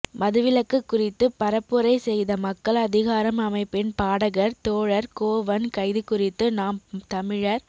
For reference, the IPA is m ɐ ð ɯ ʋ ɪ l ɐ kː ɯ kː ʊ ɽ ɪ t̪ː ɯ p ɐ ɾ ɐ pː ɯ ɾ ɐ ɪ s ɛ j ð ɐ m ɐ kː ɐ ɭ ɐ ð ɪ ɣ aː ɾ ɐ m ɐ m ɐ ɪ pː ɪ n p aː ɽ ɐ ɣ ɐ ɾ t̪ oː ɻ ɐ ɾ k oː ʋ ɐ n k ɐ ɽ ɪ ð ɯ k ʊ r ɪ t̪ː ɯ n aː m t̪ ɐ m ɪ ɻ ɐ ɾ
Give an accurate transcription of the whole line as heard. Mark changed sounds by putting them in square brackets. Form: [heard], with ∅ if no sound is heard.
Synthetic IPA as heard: m ɐ ð ɯ ʋ ɪ l ɐ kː ɯ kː ʊ [r] ɪ t̪ː ɯ p ɐ ɾ ɐ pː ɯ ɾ ɐ ɪ s ɛ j ð ɐ m ɐ kː ɐ ɭ ɐ ð ɪ ɣ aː ɾ ɐ m ɐ m ɐ ɪ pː ɪ n p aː ɽ ɐ ɣ ɐ ɾ t̪ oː ɻ ɐ ɾ k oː ʋ ɐ n k ɐ [∅] ɪ ð ɯ k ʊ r ɪ t̪ː ɯ n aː m t̪ ɐ m ɪ ɻ ɐ ɾ